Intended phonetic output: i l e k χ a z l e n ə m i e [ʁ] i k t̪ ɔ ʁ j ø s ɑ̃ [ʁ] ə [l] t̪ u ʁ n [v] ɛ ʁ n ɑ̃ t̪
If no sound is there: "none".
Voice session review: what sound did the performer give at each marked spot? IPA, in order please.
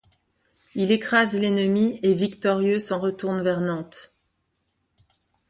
v, ʁ, none, v

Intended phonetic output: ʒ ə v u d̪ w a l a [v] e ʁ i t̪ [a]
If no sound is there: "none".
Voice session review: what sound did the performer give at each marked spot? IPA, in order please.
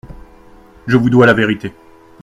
v, e

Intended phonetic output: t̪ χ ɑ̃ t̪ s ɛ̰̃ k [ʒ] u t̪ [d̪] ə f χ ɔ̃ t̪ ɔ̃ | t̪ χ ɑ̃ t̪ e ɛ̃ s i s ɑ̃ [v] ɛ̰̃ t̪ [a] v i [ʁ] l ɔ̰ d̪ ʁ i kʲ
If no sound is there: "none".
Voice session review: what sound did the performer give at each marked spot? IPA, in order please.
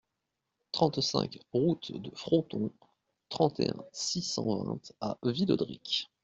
ʁ, d̪, v, a, none

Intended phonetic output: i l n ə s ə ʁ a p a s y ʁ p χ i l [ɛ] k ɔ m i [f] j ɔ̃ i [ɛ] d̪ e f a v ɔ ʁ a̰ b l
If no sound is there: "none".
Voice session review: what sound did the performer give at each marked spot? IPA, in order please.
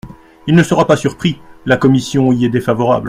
a, s, ɛ

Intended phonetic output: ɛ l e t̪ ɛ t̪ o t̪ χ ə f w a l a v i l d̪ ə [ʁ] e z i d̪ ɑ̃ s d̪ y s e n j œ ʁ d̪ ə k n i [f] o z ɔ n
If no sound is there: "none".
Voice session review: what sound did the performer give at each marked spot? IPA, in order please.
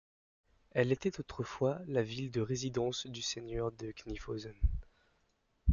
ʁ, f

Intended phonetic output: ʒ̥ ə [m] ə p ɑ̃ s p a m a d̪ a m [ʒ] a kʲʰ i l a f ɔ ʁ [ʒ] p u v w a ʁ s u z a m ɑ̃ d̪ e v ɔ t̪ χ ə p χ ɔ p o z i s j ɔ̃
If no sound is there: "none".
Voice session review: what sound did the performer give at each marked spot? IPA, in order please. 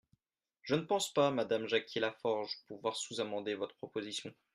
n, ʒ, ʒ

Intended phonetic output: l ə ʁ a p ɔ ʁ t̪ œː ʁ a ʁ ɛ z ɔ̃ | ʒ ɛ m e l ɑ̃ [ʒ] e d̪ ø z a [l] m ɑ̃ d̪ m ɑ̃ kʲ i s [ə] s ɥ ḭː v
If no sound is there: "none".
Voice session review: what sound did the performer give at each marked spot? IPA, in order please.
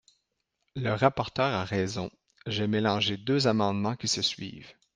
ʒ, none, ə

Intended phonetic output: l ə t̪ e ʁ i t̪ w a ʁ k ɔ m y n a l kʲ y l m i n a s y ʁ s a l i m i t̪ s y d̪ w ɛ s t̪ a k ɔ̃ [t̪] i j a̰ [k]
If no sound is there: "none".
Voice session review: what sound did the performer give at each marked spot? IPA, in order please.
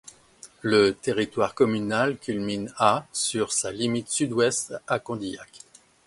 d̪, k

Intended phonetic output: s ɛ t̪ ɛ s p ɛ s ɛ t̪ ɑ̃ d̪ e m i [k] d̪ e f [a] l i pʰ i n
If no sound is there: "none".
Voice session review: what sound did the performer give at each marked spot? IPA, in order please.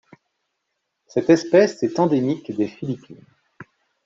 k, i

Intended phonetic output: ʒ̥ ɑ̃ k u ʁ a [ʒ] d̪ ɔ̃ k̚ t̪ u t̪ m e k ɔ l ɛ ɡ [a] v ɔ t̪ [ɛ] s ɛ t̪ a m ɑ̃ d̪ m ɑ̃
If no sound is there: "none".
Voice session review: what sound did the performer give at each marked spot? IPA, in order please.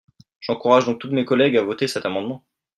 ʒ, a, e

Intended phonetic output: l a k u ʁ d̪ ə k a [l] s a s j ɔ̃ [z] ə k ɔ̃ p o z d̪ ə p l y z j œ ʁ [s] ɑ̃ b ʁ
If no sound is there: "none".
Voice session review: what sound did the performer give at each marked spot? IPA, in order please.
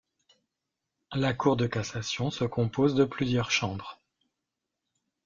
none, s, ʃ

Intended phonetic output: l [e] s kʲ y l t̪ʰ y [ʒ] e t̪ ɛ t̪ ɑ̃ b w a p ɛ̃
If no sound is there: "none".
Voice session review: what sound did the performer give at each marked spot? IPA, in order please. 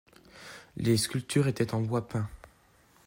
e, ʁ

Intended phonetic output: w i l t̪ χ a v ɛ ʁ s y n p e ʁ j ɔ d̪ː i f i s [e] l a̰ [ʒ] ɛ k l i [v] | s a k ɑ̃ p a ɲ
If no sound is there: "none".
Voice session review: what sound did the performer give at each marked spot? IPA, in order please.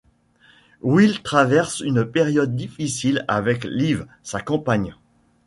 i, v, v

